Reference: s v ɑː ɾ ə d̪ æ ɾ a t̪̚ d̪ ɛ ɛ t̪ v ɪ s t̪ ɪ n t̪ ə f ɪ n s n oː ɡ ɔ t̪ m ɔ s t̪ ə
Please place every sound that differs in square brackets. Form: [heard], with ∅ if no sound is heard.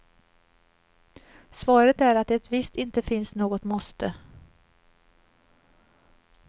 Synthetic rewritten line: s v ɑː ɾ ə [t̪] æ ɾ a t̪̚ d̪ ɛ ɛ t̪ v ɪ s t̪ ɪ n t̪ ə f ɪ n s n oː ɡ ɔ t̪ m ɔ s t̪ ə